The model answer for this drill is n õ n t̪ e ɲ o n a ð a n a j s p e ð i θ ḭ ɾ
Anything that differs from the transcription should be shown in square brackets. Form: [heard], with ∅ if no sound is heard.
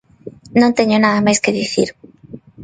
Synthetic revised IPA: n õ n t̪ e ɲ o n a ð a [m] a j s [k] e ð i θ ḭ ɾ